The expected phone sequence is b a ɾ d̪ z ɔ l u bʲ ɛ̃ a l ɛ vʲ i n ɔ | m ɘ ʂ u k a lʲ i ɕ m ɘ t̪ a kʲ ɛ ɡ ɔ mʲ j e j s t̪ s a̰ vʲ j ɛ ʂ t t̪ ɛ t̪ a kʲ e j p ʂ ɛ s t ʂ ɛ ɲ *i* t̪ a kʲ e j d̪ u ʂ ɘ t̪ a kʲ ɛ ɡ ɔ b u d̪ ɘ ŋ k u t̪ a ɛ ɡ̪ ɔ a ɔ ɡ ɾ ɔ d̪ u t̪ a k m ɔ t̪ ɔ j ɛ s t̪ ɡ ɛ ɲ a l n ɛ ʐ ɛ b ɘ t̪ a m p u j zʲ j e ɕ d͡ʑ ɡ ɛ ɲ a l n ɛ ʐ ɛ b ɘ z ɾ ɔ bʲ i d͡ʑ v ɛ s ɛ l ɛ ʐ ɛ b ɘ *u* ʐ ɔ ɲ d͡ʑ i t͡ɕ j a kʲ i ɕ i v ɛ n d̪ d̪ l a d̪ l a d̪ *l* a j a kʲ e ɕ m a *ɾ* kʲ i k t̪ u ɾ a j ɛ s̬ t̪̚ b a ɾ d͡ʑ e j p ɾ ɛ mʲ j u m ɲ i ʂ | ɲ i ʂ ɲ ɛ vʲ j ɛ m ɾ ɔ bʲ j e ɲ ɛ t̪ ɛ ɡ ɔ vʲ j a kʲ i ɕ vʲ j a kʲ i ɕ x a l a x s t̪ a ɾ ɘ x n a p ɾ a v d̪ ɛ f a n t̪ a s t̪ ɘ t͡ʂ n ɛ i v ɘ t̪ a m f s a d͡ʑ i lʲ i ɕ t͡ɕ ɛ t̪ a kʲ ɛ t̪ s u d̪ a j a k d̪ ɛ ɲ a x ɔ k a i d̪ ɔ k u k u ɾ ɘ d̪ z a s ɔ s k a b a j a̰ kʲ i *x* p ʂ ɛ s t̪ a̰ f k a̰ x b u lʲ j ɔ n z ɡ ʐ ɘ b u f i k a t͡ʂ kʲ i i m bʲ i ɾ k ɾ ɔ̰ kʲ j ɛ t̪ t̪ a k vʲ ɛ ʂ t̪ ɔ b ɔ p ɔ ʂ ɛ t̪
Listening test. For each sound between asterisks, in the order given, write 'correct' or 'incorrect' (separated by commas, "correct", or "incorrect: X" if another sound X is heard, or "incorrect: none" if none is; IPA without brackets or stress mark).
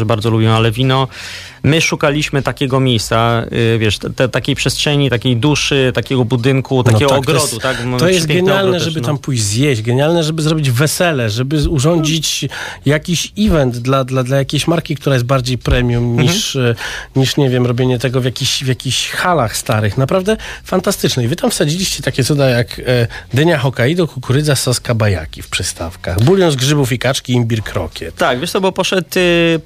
correct, correct, correct, correct, incorrect: f